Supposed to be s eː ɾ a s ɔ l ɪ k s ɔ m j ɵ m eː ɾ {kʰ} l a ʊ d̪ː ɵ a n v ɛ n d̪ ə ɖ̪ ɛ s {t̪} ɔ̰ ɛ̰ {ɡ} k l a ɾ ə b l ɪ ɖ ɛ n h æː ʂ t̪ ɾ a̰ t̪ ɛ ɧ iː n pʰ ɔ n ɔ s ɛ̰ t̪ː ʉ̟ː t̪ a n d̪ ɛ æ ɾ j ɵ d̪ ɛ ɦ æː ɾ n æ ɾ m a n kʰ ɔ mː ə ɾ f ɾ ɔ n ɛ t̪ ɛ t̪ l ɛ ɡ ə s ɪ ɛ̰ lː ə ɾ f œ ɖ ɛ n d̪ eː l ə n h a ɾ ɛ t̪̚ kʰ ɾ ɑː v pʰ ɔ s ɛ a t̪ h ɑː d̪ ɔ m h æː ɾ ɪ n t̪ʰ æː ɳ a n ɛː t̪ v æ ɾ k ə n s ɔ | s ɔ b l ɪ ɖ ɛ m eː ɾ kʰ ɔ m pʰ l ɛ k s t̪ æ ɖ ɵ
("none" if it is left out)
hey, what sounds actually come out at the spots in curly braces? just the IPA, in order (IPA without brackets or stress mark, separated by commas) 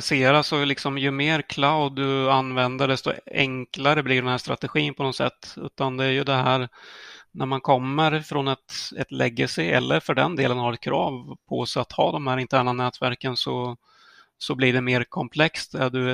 kʰ, t̪, ŋ